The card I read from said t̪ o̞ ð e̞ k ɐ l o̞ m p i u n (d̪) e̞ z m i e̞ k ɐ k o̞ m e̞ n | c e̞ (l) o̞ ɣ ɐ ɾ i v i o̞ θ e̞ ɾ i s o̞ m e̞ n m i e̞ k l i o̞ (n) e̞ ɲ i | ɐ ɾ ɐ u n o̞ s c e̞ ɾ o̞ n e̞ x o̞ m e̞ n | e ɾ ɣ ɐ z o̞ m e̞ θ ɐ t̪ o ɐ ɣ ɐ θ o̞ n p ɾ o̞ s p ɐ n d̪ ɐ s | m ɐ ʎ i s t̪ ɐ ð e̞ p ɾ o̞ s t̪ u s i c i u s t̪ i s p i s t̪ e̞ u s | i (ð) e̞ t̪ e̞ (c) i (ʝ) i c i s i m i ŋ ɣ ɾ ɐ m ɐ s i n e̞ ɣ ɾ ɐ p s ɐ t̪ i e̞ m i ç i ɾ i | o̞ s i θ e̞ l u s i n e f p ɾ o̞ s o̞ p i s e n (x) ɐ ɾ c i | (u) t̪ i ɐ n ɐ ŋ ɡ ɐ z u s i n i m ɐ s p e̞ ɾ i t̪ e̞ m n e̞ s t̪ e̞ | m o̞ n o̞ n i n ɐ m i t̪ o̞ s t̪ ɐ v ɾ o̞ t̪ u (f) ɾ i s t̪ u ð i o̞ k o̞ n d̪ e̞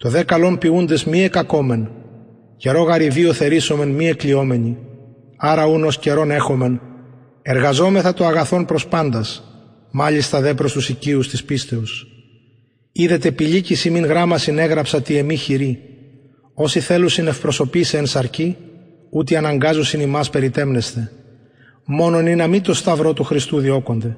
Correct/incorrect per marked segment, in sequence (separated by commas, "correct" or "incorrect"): correct, incorrect, incorrect, correct, incorrect, incorrect, incorrect, correct, incorrect